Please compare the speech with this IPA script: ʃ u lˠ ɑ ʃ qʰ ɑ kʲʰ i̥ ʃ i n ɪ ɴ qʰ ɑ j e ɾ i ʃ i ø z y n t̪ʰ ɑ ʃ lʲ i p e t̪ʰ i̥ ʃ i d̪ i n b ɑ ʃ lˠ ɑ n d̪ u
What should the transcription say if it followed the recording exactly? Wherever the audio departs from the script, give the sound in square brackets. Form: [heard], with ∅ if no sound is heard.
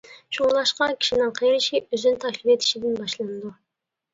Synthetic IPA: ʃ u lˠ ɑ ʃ [q] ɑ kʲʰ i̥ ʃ i n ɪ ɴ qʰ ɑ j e ɾ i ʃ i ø z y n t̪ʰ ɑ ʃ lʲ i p e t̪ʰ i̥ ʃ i d̪ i n b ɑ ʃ lˠ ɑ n d̪ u